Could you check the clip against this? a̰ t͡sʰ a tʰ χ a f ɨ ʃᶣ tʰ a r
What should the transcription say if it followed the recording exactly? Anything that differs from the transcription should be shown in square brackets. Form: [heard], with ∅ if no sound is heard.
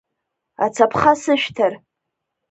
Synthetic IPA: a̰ t͡sʰ a [pʰ] χ a [s] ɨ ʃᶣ tʰ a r